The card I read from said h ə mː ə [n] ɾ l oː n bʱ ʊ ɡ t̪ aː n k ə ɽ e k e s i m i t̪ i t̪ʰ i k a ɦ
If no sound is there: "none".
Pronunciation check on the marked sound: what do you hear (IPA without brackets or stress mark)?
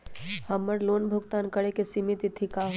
none